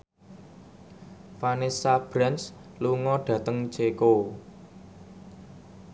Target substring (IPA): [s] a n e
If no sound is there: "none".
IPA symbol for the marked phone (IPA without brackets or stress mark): f